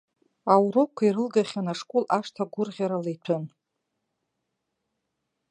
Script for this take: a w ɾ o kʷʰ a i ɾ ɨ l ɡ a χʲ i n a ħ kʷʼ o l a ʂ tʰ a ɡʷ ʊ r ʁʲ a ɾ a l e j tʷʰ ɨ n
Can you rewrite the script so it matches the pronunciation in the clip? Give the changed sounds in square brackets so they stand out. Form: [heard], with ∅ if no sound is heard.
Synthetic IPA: a w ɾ o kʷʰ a i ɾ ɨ l ɡ a χʲ [a] n a [ʂ] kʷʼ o l a ʂ tʰ a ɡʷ ʊ r ʁʲ a ɾ a l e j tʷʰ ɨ n